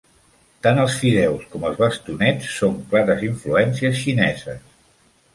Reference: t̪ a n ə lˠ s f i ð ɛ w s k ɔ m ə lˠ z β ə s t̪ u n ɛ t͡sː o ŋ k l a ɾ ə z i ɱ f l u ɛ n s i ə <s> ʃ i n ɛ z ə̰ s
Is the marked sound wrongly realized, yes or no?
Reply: no